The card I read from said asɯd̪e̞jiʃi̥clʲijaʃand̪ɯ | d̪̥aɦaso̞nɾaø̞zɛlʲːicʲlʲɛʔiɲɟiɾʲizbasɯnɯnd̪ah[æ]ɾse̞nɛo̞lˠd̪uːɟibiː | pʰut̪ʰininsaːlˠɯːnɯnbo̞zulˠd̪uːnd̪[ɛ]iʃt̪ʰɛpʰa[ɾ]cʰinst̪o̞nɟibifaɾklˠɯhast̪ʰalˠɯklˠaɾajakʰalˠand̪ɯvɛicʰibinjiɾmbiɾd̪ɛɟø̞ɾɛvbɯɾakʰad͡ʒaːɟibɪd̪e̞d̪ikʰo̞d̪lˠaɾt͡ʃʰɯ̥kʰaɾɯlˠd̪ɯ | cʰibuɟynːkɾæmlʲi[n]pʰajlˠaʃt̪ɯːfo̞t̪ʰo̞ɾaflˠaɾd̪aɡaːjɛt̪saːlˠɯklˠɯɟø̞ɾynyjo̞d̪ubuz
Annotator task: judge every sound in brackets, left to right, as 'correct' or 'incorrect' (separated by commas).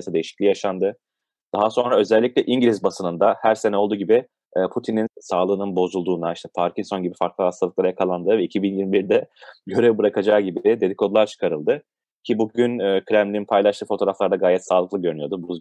correct, incorrect, correct, correct